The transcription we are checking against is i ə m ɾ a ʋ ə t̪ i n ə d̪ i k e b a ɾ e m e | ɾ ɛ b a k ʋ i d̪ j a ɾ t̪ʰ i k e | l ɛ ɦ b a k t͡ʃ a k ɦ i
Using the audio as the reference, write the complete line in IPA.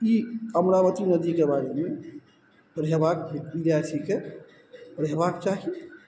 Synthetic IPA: i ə m ɾ a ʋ ə t̪ i n ə d̪ i k e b a ɾ e m e | ɾ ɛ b a k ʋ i d̪ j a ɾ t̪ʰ i k e | ɾ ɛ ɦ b a k t͡ʃ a ɦ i